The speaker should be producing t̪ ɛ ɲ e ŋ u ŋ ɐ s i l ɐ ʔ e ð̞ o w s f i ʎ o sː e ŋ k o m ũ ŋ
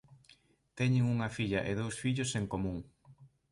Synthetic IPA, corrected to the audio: t̪ ɛ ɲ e ŋ u ŋ ɐ f i ʎ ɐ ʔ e ð̞ o w s f i ʎ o s e ŋ k o m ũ ŋ